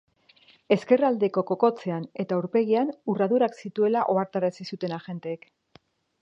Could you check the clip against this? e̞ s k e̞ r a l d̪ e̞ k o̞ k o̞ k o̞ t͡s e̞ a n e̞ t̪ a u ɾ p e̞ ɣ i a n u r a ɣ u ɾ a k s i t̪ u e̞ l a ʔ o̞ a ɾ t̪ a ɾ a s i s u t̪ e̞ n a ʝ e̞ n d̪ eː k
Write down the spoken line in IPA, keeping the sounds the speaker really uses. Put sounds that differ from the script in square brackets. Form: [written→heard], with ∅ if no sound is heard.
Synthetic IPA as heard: e̞ s k e̞ r a l d̪ e̞ k o̞ k o̞ k o̞ t͡s e̞ a n e̞ t̪ a u ɾ p e̞ ɣ i a n u r a [ɣ→ð] u ɾ a k s i t̪ u e̞ l a ʔ o̞ a ɾ t̪ a ɾ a s i s u t̪ e̞ n a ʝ e̞ n [d̪→t̪] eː k

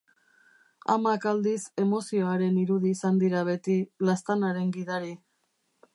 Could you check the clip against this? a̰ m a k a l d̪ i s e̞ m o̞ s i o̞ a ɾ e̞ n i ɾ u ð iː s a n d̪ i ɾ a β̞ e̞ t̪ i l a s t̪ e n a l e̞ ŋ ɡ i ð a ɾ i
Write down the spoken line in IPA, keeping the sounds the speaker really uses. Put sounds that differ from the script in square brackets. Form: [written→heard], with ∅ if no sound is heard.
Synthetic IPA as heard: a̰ m a k a l d̪ i s e̞ m o̞ s i o̞ a ɾ e̞ n i ɾ u ð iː s a n d̪ i ɾ a β̞ e̞ t̪ i l a s t̪ [e→a] n a [l→ɾ] e̞ ŋ ɡ i ð a ɾ i

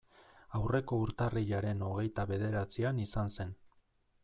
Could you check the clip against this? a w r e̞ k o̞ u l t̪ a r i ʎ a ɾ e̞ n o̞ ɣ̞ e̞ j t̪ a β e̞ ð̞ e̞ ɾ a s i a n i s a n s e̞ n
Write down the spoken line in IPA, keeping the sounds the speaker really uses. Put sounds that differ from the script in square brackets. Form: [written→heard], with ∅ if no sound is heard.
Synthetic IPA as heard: a w r e̞ k o̞ u [l→ɾ] t̪ a r i ʎ a ɾ e̞ n o̞ ɣ̞ e̞ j t̪ a β e̞ ð̞ e̞ ɾ a [s→t͡s] i a n i s a n s e̞ n

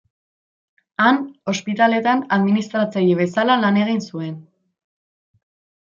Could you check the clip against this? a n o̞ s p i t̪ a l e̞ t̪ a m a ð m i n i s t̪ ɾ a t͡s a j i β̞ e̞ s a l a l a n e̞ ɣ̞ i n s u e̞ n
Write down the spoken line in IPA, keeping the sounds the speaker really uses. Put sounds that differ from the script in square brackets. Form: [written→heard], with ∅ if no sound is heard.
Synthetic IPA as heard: a n o̞ s p i t̪ a l e̞ t̪ a [m→n] a ð m i n i s t̪ ɾ a t͡s a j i β̞ e̞ s a l a l a n e̞ ɣ̞ i n s u e̞ n

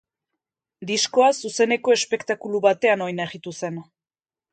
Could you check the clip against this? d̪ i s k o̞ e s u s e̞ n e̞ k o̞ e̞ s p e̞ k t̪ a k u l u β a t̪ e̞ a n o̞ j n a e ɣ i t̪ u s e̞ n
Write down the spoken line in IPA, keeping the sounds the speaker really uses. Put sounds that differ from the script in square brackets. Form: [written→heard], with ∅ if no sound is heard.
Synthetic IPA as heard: d̪ i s k o̞ [e→a] s u s e̞ n e̞ k o̞ e̞ s p e̞ k t̪ a k u l u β a t̪ e̞ a n o̞ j n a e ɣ i t̪ u s e̞ n

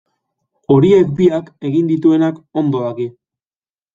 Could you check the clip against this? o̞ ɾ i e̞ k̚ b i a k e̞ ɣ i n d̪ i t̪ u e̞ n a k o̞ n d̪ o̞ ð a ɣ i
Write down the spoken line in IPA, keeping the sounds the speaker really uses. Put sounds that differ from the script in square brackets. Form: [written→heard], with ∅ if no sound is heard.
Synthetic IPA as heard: o̞ ɾ i e̞ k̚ b i a k e̞ ɣ i n d̪ i t̪ u e̞ n a k o̞ n d̪ o̞ ð a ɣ i

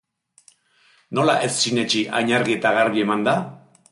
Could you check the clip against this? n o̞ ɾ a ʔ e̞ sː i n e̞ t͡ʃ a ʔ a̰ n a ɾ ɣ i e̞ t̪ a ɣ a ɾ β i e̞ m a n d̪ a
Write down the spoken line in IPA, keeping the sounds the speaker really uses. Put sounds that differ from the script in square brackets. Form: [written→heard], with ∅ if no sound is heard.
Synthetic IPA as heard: n o̞ [ɾ→l] a ʔ e̞ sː i n e̞ t͡ʃ [a→i] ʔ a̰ [n→ɲ] a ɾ ɣ i e̞ t̪ a ɣ a ɾ β i e̞ m a n d̪ a

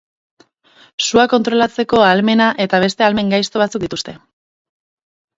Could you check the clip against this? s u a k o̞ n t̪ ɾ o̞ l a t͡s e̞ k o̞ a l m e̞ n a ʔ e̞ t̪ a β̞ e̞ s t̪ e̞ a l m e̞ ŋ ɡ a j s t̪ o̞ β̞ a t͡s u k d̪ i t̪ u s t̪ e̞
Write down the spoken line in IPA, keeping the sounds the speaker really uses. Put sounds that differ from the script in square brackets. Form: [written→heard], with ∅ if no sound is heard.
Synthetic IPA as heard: s u a k o̞ n t̪ ɾ o̞ l a t͡s e̞ k o̞ a l m e̞ n a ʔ e̞ t̪ a β̞ e̞ s t̪ e̞ a l m e̞ ŋ ɡ a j s t̪ o̞ β̞ a t͡s u k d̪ i t̪ u s t̪ e̞

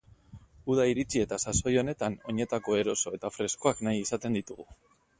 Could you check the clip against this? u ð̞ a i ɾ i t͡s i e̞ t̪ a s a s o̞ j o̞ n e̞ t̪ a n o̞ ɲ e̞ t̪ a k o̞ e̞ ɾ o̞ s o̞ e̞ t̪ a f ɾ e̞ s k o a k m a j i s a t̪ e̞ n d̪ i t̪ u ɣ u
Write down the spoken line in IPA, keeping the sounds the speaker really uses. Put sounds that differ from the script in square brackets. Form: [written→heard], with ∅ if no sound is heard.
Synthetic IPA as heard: u ð̞ a i ɾ i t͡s i e̞ t̪ a s a s o̞ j o̞ n e̞ t̪ a n o̞ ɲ e̞ t̪ a k o̞ e̞ ɾ o̞ s o̞ e̞ t̪ a f ɾ e̞ s k o a k [m→n] a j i s a t̪ e̞ n d̪ i t̪ u ɣ u

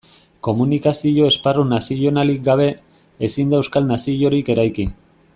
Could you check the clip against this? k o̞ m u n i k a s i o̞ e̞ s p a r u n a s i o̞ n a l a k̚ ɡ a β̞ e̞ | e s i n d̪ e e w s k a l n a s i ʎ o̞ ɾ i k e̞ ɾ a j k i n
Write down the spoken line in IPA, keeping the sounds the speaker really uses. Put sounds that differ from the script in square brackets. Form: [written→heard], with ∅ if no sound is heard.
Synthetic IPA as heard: k o̞ m u n i k a s i o̞ e̞ s p a r u n a s i o̞ n a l [a→i] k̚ ɡ a β̞ e̞ | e s i n d̪ [e→a] e w s k a l n a s i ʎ o̞ ɾ i k e̞ ɾ a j k i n

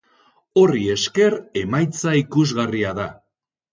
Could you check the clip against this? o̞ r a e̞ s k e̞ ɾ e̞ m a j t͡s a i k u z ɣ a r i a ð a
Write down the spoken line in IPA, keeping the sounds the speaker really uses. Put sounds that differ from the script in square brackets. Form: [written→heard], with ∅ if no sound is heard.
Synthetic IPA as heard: o̞ r [a→i] e̞ s k e̞ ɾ e̞ m a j t͡s a i k u z ɣ a r i a ð a

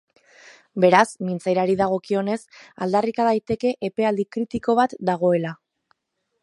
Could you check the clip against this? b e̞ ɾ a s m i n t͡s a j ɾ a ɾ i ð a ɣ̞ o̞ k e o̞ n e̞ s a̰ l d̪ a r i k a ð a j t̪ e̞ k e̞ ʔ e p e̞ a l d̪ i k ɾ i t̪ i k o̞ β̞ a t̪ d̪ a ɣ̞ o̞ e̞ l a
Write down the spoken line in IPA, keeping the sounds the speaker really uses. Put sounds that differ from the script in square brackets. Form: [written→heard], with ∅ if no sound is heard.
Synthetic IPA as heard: b e̞ ɾ a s m i n t͡s a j ɾ a ɾ i ð a ɣ̞ o̞ k [e→i] o̞ n e̞ s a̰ l d̪ a r i k a ð a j t̪ e̞ k e̞ ʔ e p e̞ a l d̪ i k ɾ i t̪ i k o̞ β̞ a t̪ d̪ a ɣ̞ o̞ e̞ l a

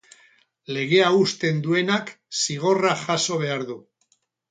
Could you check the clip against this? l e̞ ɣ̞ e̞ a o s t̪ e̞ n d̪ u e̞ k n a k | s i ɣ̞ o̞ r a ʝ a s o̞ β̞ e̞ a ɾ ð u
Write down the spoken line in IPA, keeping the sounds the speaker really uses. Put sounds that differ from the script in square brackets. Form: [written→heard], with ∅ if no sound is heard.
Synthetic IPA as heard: l e̞ ɣ̞ e̞ a [o→u] s t̪ e̞ n d̪ u e̞ [k→∅] n a k | s i ɣ̞ o̞ r a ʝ a s o̞ β̞ e̞ a ɾ ð u

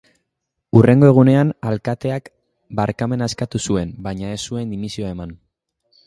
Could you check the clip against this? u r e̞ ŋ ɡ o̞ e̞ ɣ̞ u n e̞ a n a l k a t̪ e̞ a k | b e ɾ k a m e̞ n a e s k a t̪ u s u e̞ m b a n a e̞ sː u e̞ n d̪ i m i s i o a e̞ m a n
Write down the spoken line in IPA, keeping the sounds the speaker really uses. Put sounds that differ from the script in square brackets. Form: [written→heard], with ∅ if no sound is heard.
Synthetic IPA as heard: u r e̞ ŋ ɡ o̞ e̞ ɣ̞ u n e̞ a n a l k a t̪ e̞ a k | b [e→a] ɾ k a m e̞ n a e s k a t̪ u s u e̞ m b a [n→ɲ] a e̞ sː u e̞ n d̪ i m i s i o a e̞ m a n

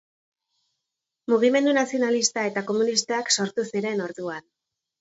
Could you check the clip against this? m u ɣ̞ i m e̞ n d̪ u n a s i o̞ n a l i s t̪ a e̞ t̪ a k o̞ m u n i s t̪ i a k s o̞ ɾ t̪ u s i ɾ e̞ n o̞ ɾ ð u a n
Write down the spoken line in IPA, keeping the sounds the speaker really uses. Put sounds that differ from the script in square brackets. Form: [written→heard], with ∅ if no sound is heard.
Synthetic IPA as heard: m u ɣ̞ i m e̞ n d̪ u n a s i o̞ n a l i s t̪ a e̞ t̪ a k o̞ m u n i s t̪ [i→a] a k s o̞ ɾ t̪ u s i ɾ e̞ n o̞ ɾ ð u a n

